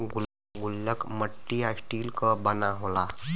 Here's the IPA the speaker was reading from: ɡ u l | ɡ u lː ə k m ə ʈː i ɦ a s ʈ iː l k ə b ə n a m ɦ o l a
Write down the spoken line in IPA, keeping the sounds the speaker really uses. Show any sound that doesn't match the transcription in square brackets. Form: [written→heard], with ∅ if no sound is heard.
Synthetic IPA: ɡ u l | ɡ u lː ə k m ə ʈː i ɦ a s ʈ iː l k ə b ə n a [m→∅] ɦ o l a